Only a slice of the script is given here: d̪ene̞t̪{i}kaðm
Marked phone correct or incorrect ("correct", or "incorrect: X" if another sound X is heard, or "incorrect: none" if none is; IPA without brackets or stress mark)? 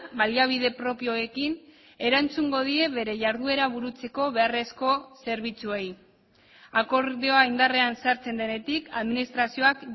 correct